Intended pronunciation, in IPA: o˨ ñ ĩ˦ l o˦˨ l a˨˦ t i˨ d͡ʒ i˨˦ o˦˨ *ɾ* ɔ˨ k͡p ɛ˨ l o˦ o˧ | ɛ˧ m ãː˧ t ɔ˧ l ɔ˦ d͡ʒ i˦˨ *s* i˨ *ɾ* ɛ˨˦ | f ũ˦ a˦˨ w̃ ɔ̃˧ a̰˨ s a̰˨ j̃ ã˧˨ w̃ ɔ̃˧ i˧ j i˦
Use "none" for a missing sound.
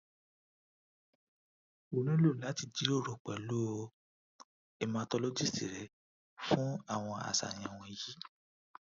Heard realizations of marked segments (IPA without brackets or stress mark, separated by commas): ɾ, s, ɾ